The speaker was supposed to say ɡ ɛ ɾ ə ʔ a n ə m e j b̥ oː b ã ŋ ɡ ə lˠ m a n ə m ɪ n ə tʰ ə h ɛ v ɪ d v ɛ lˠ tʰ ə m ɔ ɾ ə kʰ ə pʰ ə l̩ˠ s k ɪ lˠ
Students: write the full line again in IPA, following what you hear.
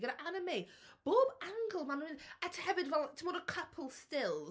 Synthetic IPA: ɡ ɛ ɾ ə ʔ a n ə m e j b̥ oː b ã ŋ ɡ ə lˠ m a n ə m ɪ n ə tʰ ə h ɛ v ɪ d v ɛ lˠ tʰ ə m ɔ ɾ ə kʰ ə pʰ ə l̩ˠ s t ɪ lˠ